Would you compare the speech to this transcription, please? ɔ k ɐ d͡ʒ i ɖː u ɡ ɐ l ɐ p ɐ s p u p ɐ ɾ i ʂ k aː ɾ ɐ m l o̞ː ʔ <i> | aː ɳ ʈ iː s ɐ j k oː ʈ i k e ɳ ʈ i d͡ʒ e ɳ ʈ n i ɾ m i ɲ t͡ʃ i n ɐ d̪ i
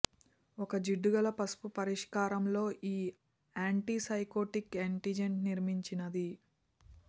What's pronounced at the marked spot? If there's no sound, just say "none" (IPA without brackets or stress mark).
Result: iː